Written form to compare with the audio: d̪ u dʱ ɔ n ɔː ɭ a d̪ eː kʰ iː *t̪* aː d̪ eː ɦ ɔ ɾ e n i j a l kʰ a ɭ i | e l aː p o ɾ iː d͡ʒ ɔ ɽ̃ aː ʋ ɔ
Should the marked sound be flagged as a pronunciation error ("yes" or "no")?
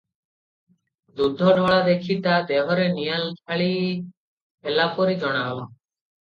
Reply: no